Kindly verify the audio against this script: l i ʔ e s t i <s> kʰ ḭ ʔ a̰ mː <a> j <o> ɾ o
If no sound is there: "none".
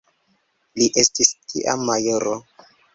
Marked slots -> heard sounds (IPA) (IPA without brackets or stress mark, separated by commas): s, a, o